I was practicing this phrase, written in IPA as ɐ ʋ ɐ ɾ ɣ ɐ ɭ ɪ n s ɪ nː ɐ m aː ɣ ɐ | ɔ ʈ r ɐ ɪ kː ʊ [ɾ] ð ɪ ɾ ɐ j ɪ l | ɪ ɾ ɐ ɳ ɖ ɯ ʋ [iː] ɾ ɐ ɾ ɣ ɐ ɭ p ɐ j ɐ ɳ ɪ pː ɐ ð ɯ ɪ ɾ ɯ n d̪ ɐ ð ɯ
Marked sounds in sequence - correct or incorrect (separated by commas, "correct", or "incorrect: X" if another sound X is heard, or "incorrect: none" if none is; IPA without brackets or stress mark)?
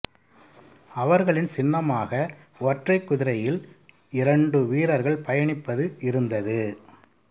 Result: incorrect: none, correct